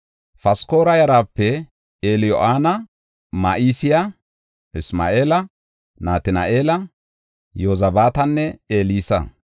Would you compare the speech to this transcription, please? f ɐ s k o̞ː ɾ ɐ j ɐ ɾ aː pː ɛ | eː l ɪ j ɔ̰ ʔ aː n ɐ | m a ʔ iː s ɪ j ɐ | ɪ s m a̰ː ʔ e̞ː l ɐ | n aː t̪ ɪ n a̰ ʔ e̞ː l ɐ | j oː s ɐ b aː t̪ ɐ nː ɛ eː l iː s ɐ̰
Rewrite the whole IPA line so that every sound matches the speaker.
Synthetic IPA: f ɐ s k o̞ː ɾ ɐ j ɐ ɾ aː pː ɛ | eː l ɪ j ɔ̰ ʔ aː n ɐ | m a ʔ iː s ɪ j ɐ | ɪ s m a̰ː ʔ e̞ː l ɐ | n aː t̪ ɪ n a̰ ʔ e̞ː l ɐ | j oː z ɐ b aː t̪ ɐ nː ɛ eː l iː s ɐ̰